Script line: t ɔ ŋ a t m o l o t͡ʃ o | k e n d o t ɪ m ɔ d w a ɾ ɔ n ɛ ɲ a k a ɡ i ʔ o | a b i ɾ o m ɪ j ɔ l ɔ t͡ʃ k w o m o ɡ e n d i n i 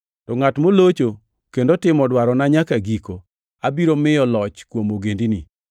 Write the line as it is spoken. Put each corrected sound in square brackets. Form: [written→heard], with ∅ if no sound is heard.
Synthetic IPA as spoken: t ɔ ŋ a t m o l o t͡ʃ o | k e n d o t ɪ m ɔ d w a ɾ ɔ n [ɛ→a] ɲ a k a ɡ i [ʔ→k] o | a b i ɾ o m ɪ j ɔ l ɔ t͡ʃ k w o m o ɡ e n d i n i